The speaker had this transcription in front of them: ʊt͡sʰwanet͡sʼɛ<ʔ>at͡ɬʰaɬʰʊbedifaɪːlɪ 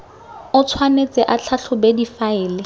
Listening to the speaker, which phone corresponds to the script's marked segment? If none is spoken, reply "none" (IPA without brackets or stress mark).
ʔ